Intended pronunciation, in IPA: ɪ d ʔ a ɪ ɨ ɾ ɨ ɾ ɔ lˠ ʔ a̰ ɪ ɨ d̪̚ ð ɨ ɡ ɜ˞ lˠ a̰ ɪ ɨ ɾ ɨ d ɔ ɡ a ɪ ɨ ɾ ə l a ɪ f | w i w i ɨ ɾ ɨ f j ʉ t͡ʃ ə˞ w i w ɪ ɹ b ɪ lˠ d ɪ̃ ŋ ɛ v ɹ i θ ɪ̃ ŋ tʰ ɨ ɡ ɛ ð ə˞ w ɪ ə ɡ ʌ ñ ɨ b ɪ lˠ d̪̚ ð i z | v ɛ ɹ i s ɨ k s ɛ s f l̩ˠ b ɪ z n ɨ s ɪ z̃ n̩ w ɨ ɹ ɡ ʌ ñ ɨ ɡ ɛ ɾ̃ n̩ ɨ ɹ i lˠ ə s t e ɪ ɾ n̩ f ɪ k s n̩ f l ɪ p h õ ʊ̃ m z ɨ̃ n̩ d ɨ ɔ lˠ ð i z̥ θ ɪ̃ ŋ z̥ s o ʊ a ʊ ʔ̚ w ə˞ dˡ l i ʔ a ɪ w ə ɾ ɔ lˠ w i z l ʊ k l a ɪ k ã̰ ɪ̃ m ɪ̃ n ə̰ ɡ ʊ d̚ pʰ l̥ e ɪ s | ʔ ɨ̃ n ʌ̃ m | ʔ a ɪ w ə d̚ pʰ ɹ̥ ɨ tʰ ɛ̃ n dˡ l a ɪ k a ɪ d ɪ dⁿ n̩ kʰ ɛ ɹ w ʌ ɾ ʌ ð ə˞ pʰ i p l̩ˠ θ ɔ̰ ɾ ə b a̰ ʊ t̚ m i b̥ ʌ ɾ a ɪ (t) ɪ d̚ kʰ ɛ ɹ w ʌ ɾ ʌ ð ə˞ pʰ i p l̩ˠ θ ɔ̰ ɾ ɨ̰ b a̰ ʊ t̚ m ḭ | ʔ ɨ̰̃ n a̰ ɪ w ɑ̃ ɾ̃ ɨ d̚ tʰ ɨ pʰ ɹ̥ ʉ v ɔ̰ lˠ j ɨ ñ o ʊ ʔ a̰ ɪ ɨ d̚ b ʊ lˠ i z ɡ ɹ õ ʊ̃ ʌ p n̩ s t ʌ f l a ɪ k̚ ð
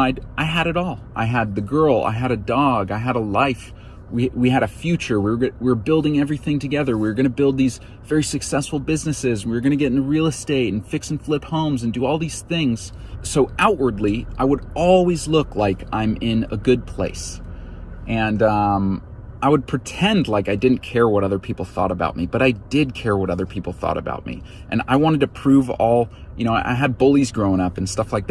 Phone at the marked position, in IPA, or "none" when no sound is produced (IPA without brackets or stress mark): d